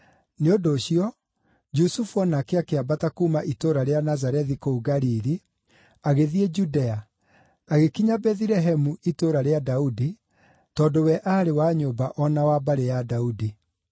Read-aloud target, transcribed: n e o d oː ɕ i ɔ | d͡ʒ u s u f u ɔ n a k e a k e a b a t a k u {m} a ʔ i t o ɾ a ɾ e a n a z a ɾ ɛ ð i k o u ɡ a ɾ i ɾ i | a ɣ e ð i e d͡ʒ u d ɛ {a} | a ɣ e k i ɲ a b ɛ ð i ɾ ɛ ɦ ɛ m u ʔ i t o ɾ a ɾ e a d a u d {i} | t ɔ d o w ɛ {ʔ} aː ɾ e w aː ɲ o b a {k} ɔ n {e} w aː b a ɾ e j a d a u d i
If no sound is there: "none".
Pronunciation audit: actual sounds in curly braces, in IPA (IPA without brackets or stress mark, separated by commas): m, a, i, ʔ, ʔ, a